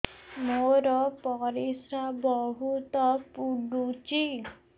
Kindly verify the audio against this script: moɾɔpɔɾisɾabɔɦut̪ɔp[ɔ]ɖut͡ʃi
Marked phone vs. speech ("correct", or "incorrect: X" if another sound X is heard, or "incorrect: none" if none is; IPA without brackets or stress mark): incorrect: u